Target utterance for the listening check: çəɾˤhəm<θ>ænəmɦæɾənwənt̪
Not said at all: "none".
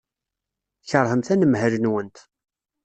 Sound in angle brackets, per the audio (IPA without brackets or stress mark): θ